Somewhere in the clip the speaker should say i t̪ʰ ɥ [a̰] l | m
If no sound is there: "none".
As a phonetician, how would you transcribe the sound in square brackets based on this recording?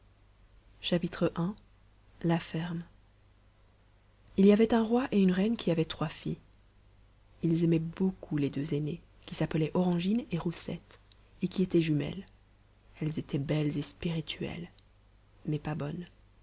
ɛ̰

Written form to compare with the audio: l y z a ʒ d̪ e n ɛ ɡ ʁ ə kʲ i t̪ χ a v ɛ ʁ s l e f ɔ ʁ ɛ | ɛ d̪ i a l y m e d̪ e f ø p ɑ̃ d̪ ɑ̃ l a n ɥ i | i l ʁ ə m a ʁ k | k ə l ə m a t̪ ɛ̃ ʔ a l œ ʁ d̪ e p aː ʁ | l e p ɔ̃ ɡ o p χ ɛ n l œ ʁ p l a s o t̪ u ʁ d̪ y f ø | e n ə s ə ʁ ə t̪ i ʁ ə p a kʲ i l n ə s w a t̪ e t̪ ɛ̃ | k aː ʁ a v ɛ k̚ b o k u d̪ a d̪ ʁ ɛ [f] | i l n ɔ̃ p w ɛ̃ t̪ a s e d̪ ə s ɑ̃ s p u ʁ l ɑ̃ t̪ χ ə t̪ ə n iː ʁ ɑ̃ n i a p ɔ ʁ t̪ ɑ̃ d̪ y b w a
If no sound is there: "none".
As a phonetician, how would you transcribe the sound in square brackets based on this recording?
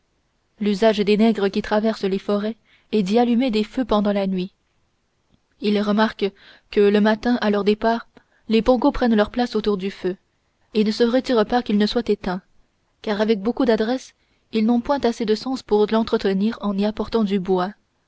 s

